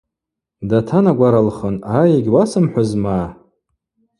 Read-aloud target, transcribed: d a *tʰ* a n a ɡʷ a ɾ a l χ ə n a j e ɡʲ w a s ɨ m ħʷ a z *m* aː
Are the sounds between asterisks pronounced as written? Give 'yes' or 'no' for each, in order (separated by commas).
yes, yes